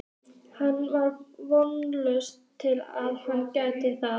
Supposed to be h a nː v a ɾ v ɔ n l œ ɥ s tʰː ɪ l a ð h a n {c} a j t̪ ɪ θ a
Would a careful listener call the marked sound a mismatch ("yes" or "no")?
no